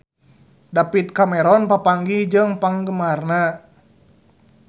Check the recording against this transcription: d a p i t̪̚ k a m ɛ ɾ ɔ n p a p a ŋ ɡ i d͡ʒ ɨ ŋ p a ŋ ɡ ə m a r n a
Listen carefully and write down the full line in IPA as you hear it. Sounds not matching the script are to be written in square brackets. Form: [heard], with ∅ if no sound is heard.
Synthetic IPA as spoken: d a p i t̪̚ k a m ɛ ɾ ɔ n p a p a ŋ ɡ i d͡ʒ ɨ ŋ p a ŋ ɡ ə m a r n a